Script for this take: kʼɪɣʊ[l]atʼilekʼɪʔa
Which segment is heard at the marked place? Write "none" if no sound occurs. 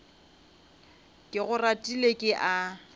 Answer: r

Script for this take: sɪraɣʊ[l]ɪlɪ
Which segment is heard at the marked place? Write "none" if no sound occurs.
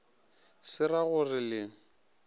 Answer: r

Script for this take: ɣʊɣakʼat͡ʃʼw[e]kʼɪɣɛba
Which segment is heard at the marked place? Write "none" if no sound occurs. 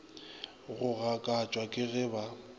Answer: a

